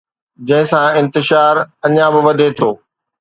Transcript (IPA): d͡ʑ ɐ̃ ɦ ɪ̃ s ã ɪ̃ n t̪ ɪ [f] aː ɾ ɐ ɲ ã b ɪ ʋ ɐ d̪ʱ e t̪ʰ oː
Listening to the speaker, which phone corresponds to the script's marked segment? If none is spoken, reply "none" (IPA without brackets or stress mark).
ʃ